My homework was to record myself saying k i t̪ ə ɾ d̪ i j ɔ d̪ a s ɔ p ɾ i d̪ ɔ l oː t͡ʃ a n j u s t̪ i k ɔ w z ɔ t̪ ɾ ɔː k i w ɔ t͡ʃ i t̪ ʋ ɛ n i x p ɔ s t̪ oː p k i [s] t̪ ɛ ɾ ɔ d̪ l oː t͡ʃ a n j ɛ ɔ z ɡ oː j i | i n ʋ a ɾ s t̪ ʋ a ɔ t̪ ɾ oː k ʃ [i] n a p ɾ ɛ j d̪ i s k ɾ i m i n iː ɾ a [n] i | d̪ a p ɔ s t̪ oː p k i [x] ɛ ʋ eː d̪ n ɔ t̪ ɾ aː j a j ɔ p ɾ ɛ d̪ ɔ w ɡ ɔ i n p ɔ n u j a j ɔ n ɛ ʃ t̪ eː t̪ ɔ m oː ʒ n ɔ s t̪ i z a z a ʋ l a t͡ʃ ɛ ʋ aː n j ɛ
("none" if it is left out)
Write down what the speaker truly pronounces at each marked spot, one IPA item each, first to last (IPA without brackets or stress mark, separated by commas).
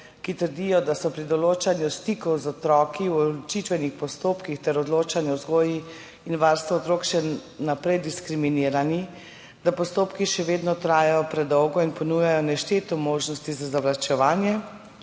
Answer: x, ɛ, n, ʃ